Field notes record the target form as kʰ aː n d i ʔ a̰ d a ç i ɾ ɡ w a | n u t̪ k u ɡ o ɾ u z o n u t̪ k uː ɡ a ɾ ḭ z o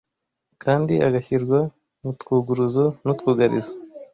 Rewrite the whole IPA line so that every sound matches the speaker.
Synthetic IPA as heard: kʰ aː n d i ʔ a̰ ɡ a ç i ɾ ɡ w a | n u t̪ k u ɡ u ɾ u z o n u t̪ k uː ɡ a ɾ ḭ z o

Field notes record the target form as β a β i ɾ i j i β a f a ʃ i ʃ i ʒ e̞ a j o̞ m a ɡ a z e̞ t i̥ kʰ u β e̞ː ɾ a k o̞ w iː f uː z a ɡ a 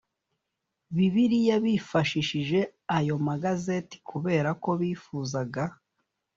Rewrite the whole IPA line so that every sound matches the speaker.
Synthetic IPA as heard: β i β i ɾ i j a β i f a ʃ i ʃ i ʒ e̞ a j o̞ m a ɡ a z e̞ t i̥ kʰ u β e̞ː ɾ a k o̞ β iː f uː z a ɡ a

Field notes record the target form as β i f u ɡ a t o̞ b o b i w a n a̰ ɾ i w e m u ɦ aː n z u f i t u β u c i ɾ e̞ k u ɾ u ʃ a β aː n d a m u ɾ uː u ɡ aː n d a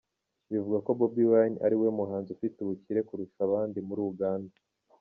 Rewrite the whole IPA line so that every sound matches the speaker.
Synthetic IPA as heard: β i v u ɡ a k o̞ b o b i w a n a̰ ɾ i w e m u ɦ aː n z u f i t u β u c i ɾ e̞ k u ɾ u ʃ a β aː n d i m u ɾ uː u ɡ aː n d a

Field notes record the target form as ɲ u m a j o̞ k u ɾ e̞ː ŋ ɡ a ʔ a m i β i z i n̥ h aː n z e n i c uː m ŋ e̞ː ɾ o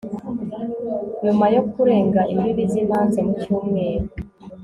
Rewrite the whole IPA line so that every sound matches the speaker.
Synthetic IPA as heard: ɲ u m a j o̞ k u ɾ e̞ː ŋ ɡ a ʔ i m i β i z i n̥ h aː n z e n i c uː m ŋ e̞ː ɾ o

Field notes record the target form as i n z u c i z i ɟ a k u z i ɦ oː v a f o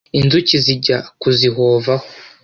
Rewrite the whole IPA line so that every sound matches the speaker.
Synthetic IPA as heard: i n z u c i z i ɟ a k u z i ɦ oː v a h o

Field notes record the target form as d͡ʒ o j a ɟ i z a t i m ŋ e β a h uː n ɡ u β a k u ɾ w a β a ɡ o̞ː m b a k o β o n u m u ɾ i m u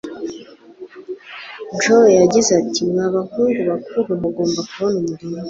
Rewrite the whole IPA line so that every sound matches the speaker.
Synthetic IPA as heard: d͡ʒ o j a ɟ i z a t i m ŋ a β a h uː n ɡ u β a k u ɾ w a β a ɡ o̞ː m b a k u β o n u m u ɾ i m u

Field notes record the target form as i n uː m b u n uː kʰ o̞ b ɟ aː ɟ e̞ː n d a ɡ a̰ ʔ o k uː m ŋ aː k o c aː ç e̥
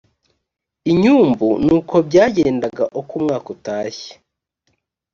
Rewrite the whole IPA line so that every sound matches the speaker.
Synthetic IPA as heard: i ɲ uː m b u n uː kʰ o̞ b ɟ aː ɟ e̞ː n d a ɡ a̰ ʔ o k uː m ŋ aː k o t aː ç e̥

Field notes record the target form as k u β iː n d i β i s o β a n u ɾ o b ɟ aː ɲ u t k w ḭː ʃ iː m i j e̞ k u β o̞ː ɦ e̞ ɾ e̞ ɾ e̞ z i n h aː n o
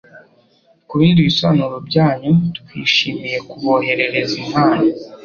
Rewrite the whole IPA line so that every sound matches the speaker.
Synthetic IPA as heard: k u β iː n d i β i s o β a n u ɾ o b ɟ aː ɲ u t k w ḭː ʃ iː m i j e̞ k u β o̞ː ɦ e̞ ɾ e̞ ɾ e̞ z i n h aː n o

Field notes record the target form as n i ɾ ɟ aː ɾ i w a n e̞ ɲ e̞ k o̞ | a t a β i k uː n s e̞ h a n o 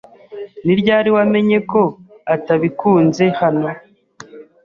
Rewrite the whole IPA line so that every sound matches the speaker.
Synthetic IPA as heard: n i ɾ ɟ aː ɾ i w a m e̞ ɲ e̞ k o̞ | a t a β i k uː n z e̞ h a n o

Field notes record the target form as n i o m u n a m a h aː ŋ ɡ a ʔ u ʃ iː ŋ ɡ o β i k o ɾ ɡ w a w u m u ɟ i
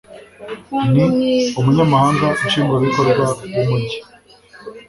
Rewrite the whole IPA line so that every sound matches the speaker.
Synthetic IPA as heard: n i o m u ɲ a m a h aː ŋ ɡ a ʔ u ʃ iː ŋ ɡ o β i k o ɾ ɡ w a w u m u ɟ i

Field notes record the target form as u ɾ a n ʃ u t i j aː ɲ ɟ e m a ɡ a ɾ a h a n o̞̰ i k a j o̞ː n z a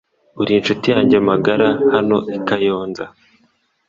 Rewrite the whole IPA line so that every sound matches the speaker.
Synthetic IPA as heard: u ɾ i n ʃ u t i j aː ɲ ɟ e m a ɡ a ɾ a h a n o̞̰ i k a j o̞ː n z a

